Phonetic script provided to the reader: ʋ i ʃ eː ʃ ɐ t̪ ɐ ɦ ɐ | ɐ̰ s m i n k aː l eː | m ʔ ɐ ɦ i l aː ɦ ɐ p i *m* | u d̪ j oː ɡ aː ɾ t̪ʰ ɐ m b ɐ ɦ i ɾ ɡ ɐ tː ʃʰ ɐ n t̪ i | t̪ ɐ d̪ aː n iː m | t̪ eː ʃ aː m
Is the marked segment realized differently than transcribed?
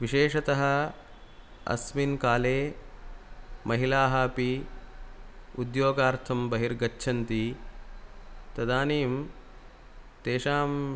yes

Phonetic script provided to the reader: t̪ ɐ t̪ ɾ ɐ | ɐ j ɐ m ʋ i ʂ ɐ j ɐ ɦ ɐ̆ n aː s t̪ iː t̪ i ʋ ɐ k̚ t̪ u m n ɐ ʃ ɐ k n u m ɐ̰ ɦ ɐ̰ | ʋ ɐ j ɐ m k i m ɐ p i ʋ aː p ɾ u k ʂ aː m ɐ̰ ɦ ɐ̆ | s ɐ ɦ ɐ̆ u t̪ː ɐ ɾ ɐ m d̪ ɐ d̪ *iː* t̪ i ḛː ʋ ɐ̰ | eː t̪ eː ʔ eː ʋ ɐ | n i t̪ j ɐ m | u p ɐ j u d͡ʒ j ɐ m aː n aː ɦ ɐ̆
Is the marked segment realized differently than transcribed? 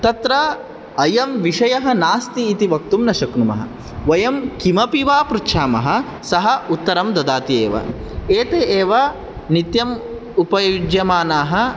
yes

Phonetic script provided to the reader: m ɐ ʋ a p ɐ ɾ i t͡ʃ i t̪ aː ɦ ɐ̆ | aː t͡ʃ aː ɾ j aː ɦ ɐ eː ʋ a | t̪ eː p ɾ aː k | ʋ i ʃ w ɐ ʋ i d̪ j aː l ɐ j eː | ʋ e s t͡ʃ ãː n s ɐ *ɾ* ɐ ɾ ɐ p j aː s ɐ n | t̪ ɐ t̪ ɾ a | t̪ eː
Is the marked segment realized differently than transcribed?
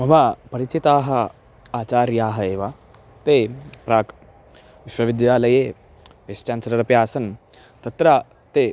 no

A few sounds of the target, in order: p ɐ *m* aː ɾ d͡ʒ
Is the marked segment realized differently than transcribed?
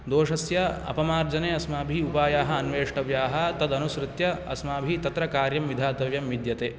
no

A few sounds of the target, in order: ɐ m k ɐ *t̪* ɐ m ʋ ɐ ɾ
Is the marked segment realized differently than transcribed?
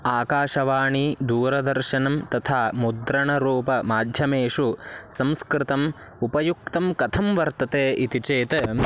yes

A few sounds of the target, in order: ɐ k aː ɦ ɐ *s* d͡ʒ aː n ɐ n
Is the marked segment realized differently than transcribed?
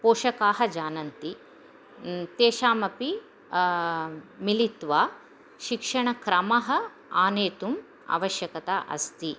yes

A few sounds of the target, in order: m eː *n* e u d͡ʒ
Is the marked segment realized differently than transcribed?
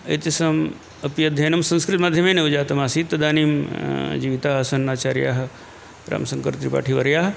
no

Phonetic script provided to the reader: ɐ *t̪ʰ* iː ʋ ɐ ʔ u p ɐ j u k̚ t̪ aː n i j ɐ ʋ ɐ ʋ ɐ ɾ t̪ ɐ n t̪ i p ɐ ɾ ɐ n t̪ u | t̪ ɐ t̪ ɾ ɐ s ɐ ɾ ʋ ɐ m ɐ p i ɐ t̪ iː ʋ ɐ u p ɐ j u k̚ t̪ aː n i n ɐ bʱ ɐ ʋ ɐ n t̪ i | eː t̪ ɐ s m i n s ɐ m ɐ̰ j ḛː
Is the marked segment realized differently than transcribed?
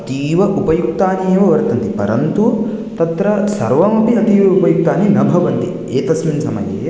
yes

